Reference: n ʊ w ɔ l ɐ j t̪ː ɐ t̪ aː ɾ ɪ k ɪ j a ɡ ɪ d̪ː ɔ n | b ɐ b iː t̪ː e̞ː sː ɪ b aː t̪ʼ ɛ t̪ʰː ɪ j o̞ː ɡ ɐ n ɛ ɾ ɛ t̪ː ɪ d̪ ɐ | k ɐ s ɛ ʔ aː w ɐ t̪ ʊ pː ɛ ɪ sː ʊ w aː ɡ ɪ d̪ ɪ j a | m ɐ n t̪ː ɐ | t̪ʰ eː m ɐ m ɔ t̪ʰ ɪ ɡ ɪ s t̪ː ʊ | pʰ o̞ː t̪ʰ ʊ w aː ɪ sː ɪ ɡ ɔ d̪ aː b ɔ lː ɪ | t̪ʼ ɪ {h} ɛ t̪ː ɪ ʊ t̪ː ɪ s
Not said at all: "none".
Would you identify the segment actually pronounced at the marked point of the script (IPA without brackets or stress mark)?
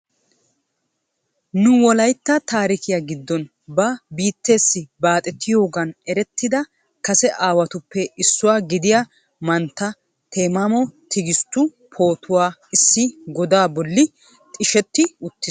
ʃ